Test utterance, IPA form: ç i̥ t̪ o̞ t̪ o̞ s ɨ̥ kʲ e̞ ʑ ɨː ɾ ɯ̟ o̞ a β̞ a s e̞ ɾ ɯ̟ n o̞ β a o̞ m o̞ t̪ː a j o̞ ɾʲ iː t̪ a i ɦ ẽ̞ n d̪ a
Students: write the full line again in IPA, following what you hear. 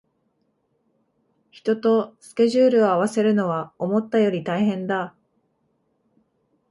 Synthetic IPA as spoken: ç i̥ t̪ o̞ t̪ o̞ s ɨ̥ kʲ e̞ ʑ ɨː ɾ ɯ̟ o̞ a β̞ a s e̞ ɾ ɯ̟ n o̞ β a o̞ m o̞ t̪ː a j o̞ ɾʲ i t̪ a i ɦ ẽ̞ n d̪ a